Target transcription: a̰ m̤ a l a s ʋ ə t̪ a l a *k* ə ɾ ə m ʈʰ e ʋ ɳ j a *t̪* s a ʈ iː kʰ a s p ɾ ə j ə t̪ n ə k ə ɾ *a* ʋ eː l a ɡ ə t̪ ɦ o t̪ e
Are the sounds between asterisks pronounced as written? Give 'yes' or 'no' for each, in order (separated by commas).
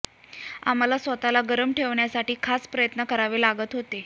no, no, yes